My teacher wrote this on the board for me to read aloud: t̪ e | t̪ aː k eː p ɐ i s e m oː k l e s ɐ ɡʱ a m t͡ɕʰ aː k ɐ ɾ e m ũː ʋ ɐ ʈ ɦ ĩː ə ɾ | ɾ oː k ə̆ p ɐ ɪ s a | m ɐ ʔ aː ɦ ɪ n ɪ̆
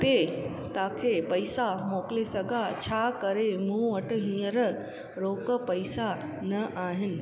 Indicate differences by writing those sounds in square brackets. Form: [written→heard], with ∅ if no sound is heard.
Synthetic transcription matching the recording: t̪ e | t̪ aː [k→kʰ] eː p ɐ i s [e→a] m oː k l e s ɐ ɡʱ a [m→∅] t͡ɕʰ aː k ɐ ɾ e m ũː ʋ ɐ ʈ ɦ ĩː ə ɾ | ɾ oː k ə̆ p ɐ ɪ s a | [m→n] ɐ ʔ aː ɦ ɪ n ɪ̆